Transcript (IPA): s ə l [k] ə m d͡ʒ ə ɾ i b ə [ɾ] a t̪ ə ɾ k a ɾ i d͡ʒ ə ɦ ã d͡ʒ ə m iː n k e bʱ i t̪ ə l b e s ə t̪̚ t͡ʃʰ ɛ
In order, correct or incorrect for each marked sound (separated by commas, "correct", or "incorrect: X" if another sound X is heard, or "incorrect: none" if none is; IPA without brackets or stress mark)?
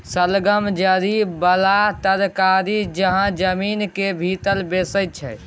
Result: incorrect: ɡ, incorrect: l